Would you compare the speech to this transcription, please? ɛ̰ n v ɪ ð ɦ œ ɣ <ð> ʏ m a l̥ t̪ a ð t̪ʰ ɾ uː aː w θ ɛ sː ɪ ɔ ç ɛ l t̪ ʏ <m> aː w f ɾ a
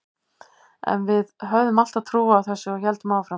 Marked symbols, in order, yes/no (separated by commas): yes, yes